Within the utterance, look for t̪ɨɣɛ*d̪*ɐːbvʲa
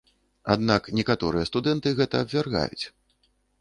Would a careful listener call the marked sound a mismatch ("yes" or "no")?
yes